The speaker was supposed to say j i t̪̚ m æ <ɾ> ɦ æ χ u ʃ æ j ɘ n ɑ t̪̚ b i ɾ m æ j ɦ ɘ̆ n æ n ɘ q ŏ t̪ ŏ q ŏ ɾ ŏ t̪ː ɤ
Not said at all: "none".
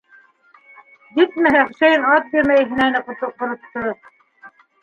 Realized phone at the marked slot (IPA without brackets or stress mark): none